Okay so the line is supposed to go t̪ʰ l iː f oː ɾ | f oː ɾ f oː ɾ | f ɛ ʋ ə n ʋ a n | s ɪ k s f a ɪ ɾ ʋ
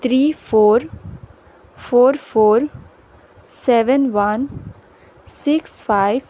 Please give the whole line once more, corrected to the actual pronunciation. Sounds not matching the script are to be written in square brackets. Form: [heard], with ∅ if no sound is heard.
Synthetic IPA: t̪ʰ [ɾ] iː f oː ɾ | f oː ɾ f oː ɾ | [s] ɛ ʋ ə n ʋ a n | s ɪ k s f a ɪ [∅] ʋ

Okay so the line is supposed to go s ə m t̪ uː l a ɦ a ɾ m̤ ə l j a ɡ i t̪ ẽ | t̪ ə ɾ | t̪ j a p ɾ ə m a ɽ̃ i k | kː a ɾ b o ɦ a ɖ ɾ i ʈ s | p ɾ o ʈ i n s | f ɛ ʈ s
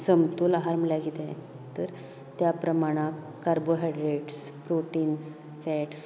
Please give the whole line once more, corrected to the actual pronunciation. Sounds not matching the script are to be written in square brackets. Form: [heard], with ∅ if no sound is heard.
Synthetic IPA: s ə m t̪ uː l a ɦ a ɾ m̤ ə l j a ɡ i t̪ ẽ | t̪ ə ɾ | t̪ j a p ɾ ə m a ɽ̃ [a] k | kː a ɾ b o ɦ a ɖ ɾ [e] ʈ s | p ɾ o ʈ i n s | f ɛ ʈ s

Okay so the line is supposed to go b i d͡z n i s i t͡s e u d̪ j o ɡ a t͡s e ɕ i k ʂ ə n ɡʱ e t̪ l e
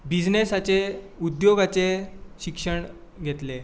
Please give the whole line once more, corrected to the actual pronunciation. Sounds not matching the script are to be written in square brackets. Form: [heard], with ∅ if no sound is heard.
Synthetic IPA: b i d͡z n [e] s [a] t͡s e u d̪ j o ɡ a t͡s e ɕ i k ʂ ə [ɳ] ɡʱ e t̪ l e

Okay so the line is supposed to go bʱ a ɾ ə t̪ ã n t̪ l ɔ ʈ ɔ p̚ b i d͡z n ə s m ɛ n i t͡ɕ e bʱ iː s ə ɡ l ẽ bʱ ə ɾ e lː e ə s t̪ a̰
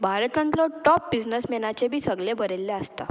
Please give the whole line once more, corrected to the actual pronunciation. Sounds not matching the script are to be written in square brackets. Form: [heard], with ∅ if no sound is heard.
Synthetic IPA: bʱ a ɾ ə t̪ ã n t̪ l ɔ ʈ ɔ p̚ b i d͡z n ə s m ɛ n [a] t͡ɕ e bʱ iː s ə ɡ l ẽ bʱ ə ɾ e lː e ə s t̪ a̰

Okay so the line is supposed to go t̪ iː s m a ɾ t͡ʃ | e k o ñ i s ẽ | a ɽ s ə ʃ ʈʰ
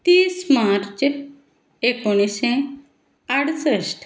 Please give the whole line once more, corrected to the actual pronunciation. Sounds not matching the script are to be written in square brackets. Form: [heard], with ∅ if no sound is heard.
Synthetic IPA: t̪ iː s m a ɾ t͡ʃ | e k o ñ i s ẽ | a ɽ s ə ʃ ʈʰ

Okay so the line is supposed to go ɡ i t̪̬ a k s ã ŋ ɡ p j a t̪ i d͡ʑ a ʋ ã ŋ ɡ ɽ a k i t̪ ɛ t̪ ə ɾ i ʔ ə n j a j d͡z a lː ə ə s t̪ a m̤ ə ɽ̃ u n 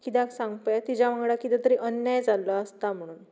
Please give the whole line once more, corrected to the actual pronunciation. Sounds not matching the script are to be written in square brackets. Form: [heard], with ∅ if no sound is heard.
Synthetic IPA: [k] i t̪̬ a k s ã ŋ ɡ p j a t̪ i d͡ʑ a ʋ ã ŋ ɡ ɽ a k i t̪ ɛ t̪ ə ɾ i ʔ ə n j a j d͡z a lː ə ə s t̪ a m̤ ə ɽ̃ [uː] n

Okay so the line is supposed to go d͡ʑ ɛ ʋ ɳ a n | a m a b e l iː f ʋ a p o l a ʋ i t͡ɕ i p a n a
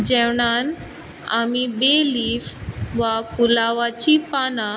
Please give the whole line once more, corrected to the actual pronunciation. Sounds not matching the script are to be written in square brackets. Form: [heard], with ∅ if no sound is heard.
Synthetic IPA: d͡ʑ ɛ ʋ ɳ a n | a m [i] b e l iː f ʋ a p [u] l a ʋ [a] t͡ɕ i p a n a

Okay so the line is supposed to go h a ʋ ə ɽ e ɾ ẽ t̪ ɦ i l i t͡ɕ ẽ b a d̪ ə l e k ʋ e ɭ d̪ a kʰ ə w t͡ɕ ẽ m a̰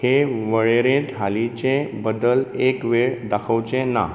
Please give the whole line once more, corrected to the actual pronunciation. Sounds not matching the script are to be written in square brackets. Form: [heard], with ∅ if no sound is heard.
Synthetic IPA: h [e] ʋ ə [ɭ] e ɾ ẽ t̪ ɦ [a] l i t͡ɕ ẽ b [ə] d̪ ə l e k ʋ e ɭ d̪ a kʰ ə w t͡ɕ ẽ [n] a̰

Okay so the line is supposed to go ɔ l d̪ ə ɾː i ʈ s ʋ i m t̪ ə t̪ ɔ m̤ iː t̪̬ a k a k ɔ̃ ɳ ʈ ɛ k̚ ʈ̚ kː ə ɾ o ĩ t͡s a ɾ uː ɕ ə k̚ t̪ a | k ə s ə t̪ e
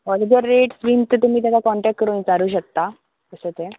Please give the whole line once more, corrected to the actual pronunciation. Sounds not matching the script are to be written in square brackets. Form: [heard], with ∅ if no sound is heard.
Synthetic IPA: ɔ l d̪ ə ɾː [e] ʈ s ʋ i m t̪ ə t̪ [u] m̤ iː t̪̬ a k a k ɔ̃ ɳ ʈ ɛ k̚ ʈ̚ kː ə ɾ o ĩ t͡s a ɾ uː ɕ ə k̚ t̪ a | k ə s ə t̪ e

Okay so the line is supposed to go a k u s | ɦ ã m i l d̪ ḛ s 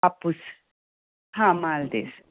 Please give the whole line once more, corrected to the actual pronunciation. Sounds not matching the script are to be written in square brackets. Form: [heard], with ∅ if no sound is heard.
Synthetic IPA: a [p] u s | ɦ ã m [a] l d̪ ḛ s

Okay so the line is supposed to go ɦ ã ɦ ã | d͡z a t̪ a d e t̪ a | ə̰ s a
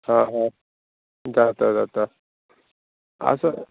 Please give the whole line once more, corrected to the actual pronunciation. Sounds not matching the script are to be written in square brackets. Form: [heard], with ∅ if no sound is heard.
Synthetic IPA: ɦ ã ɦ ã | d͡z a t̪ a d [a] t̪ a | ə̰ s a

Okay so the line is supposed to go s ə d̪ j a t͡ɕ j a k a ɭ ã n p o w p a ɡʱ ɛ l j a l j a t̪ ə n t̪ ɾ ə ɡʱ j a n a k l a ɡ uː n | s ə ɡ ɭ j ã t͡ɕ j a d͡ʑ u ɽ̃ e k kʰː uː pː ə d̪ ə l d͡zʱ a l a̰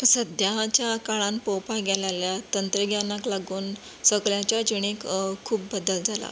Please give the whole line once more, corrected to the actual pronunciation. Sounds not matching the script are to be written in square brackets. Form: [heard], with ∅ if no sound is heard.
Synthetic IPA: s ə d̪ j a t͡ɕ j a k a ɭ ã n p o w p a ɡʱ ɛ l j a l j a t̪ ə n t̪ ɾ ə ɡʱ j a n a k l a ɡ uː n | s ə ɡ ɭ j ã t͡ɕ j a d͡ʑ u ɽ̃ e k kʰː uː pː ə d̪ ə l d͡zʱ a l a̰

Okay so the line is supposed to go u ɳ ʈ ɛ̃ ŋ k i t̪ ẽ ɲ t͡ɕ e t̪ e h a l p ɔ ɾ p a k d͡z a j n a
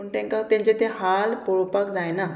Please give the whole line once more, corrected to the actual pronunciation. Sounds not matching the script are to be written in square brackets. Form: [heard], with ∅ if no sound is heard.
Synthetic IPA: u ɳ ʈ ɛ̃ ŋ k [a] t̪ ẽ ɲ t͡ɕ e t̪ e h a l p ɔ [ɭ] p a k d͡z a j n a

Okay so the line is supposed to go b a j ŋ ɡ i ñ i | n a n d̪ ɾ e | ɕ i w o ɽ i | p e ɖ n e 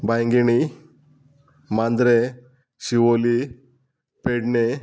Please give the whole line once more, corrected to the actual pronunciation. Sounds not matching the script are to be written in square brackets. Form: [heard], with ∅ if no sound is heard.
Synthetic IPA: b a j ŋ ɡ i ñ i | [m] a n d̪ ɾ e | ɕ i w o [l] i | p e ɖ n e

